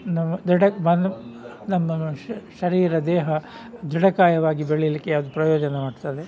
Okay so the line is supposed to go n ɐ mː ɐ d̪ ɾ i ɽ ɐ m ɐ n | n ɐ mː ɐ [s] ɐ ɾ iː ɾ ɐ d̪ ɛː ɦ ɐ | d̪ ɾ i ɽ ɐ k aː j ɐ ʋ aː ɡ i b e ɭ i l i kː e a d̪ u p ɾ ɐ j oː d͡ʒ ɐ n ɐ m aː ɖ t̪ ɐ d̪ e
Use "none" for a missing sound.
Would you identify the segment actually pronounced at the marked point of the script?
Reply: ʃ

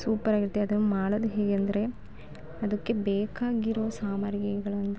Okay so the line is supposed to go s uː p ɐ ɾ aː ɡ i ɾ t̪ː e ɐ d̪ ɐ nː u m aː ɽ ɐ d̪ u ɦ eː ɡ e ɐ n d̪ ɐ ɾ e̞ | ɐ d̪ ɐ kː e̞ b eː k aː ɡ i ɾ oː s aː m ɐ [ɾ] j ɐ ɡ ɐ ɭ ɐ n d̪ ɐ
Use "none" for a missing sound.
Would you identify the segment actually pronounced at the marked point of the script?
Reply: ɾ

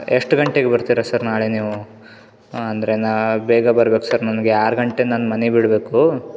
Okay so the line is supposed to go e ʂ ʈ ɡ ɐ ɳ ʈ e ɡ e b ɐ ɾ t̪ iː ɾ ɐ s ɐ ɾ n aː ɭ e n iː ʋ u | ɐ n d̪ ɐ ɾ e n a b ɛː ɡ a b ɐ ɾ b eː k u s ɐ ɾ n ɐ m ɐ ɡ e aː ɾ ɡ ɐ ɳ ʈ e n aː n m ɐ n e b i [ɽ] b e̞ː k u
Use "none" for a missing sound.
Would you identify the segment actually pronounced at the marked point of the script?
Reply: ɽ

